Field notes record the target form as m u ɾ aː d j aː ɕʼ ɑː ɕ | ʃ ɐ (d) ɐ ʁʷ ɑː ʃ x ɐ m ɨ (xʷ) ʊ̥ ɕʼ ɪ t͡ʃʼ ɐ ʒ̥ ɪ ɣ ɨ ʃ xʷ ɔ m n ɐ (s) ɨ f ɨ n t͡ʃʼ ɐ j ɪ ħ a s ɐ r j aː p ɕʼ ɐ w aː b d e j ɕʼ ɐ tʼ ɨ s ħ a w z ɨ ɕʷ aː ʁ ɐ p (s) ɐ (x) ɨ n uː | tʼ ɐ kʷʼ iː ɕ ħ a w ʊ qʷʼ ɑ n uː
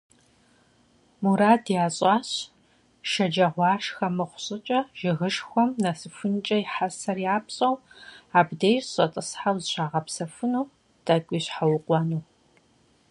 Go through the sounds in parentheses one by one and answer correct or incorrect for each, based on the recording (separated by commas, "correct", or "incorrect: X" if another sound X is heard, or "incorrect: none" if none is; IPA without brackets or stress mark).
incorrect: d͡ʒ, incorrect: χʷ, correct, correct, incorrect: f